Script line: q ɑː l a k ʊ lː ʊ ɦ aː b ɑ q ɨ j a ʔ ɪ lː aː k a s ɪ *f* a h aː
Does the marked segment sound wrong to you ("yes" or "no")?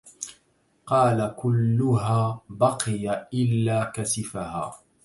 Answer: no